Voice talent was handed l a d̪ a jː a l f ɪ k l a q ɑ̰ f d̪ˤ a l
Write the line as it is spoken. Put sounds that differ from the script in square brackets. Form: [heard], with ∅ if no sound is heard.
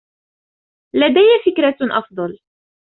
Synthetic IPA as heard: l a d̪ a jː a [∅] f ɪ k [ɾ] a [ʔ] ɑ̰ f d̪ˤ [ɑ] l